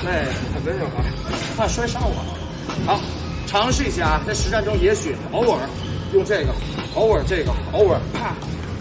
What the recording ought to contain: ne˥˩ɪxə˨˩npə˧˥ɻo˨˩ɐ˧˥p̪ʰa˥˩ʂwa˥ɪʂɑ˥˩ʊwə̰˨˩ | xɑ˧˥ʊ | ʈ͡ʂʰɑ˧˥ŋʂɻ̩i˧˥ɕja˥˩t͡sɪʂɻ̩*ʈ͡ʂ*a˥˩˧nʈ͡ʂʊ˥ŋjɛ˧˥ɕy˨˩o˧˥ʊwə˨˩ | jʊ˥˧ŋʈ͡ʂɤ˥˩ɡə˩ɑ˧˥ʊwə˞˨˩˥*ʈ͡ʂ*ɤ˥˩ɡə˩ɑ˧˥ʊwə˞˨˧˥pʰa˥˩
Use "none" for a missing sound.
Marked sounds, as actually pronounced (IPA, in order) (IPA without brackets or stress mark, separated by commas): ʈ͡ʂ, ʈ͡ʂ